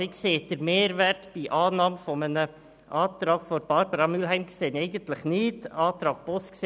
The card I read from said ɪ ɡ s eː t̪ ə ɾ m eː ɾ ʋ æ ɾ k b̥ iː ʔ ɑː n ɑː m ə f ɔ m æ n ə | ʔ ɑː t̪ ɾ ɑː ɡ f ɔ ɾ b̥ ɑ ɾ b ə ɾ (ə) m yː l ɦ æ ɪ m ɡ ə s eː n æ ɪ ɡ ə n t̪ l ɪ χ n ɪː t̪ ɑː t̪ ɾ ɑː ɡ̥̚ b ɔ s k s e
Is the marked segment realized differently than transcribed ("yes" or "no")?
yes